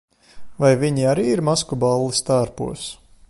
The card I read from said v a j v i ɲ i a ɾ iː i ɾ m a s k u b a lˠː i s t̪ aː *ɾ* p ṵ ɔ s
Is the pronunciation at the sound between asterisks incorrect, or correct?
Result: correct